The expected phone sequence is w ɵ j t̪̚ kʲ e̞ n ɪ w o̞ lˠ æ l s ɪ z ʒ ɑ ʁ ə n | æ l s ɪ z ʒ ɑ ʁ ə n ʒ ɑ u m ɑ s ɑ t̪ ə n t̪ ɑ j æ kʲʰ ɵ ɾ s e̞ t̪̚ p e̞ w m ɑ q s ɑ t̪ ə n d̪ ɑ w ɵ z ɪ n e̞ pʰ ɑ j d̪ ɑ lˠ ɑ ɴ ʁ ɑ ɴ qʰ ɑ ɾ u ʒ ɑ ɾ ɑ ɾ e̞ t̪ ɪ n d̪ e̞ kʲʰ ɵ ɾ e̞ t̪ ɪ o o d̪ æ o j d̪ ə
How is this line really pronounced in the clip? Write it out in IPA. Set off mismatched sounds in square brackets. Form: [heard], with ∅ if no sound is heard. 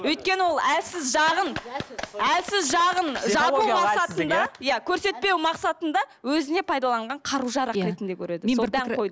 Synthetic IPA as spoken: w ɵ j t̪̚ kʲ e̞ n ɪ w o̞ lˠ æ l s ɪ z ʒ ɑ ʁ ə n | æ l s ɪ z ʒ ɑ ʁ ə n ʒ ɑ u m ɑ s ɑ t̪ ə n [d̪] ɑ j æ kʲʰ ɵ ɾ s e̞ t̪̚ p e̞ w m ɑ q s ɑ t̪ ə n d̪ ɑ w ɵ z ɪ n e̞ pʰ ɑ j d̪ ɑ lˠ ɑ ɴ ʁ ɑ ɴ qʰ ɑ ɾ u ʒ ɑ ɾ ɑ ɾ e̞ t̪ ɪ n d̪ e̞ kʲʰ ɵ ɾ e̞ [d̪] ɪ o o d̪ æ o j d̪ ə